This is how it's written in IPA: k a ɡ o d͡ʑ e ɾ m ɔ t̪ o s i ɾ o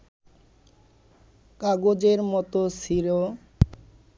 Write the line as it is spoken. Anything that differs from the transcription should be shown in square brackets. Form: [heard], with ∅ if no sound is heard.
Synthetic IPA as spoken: k a ɡ o d͡ʑ e ɾ m ɔ t̪ o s i ɾ o

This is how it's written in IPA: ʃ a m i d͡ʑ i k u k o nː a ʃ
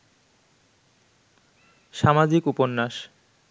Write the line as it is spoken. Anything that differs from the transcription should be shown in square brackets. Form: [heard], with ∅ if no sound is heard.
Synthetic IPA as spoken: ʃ a m [a] d͡ʑ i k u [p] o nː a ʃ

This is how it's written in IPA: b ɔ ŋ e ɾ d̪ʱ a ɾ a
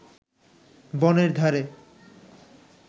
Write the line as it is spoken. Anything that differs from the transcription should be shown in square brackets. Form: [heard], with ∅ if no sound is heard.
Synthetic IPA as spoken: b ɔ [n] e ɾ d̪ʱ a ɾ [e]

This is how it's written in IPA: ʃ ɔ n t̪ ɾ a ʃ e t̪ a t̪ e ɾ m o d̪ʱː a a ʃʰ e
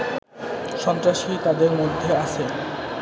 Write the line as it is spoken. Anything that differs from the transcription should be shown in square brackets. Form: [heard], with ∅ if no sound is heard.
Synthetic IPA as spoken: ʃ ɔ n t̪ ɾ a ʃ [i] t̪ a [d̪] e ɾ m o d̪ʱː [e] a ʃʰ e

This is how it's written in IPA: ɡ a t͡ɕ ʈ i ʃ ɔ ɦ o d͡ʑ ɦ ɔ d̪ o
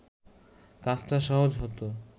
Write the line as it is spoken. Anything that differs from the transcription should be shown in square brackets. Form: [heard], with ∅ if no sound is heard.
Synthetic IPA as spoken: [k] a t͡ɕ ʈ [a] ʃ ɔ ɦ o d͡ʑ ɦ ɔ [t̪] o

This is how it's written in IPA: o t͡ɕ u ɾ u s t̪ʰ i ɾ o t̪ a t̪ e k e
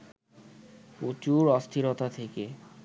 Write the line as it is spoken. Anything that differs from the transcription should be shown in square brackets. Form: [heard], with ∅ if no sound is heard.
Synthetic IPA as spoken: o t͡ɕ u ɾ [ɔ] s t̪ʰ i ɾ o t̪ a [t̪ʰ] e k e

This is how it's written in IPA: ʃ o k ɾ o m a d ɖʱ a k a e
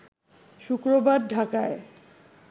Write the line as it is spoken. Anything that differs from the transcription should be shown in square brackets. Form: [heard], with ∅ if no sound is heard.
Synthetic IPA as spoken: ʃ [u] k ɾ o [b] a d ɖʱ a k a e

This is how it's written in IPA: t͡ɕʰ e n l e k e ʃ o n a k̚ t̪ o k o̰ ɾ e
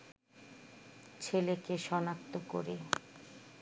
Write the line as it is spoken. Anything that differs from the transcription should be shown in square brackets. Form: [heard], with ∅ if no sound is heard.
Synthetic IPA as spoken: t͡ɕʰ e [∅] l e k e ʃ [ɔ] n a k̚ t̪ o k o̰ ɾ e

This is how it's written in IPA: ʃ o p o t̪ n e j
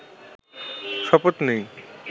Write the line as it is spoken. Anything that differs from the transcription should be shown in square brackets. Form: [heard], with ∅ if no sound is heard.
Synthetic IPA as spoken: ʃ [ɔ] p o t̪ n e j

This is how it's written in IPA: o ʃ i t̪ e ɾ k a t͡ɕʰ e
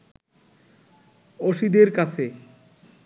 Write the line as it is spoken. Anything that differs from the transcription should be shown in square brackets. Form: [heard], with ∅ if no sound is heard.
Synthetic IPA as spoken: o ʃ i [d̪] e ɾ k a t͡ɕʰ e

